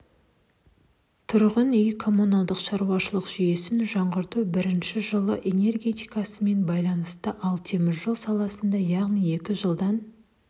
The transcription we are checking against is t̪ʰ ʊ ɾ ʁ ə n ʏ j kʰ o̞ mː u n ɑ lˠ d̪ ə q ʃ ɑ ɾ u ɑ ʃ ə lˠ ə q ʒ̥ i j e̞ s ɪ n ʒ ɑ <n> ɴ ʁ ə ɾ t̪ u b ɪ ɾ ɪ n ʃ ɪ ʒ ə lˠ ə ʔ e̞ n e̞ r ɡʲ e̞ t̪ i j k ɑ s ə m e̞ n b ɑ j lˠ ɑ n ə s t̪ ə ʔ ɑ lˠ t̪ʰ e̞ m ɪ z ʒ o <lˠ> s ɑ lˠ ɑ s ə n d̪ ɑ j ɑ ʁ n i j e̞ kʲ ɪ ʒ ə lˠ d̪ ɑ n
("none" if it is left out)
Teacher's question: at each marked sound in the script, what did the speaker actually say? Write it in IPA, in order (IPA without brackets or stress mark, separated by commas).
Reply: none, lˠ